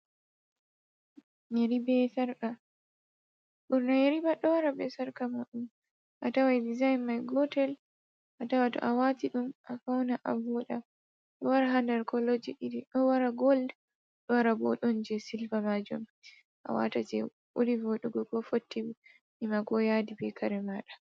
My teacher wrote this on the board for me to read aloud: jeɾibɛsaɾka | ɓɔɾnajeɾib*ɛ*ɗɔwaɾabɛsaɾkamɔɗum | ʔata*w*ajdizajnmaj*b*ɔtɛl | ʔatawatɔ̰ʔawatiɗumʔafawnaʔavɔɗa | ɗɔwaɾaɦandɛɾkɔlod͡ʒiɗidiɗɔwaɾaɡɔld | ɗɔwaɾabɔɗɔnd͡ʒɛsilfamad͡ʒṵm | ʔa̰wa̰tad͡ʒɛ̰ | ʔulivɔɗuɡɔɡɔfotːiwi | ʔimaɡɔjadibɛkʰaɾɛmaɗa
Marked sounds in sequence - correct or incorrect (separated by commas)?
incorrect, correct, incorrect